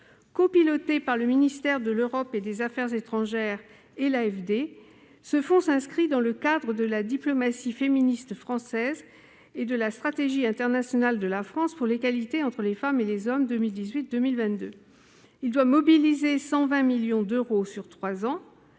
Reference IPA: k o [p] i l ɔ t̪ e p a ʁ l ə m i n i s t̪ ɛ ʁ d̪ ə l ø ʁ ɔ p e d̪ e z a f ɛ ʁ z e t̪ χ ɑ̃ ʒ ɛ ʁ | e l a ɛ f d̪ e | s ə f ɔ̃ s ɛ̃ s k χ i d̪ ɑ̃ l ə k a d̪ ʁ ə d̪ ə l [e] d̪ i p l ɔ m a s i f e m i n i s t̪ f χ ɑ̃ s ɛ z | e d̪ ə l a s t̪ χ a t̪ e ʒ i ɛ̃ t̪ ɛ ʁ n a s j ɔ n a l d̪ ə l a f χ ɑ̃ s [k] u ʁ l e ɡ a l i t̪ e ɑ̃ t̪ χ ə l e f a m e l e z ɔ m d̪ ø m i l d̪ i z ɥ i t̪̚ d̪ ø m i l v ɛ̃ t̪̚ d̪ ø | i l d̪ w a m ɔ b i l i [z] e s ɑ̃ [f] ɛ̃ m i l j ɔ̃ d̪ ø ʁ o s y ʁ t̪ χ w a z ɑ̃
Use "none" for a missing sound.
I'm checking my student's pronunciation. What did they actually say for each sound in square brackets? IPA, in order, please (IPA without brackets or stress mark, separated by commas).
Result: p, a, p, z, v